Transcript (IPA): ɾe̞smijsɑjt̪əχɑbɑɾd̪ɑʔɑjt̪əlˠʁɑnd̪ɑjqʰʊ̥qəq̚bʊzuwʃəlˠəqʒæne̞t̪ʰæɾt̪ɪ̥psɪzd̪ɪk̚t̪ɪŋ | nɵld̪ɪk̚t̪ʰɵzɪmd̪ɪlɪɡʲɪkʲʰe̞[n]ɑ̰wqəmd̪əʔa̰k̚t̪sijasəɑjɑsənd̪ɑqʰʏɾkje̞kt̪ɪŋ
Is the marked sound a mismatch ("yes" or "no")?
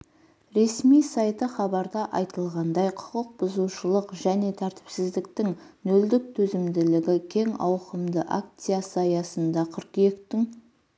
yes